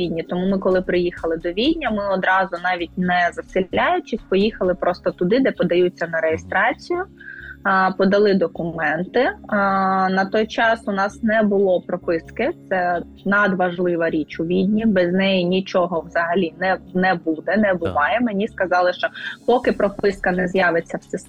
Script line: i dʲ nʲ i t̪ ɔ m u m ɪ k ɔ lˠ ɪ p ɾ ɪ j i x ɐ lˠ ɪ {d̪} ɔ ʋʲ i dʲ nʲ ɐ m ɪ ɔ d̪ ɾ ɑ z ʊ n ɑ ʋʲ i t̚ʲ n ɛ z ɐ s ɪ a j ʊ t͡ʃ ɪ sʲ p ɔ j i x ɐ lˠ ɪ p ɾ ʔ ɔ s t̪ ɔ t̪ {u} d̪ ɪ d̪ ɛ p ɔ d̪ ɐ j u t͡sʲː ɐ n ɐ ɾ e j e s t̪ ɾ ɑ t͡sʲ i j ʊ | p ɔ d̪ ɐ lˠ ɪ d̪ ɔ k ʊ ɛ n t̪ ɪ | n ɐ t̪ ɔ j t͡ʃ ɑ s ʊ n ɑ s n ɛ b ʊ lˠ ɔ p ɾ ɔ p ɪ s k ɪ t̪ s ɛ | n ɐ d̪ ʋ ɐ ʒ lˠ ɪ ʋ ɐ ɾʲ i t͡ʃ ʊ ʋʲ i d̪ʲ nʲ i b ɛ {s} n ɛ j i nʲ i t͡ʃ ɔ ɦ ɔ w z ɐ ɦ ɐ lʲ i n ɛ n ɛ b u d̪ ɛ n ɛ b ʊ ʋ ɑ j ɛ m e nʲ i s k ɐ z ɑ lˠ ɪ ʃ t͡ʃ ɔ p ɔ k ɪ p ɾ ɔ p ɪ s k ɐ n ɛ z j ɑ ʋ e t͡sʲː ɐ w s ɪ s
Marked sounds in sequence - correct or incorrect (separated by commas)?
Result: correct, incorrect, incorrect